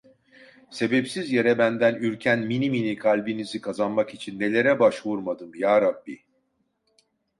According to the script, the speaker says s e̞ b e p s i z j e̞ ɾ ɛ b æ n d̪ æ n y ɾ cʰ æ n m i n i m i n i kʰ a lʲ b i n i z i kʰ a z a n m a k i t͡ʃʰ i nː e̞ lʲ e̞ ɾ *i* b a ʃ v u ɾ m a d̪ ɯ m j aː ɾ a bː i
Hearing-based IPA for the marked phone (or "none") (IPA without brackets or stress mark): ɛ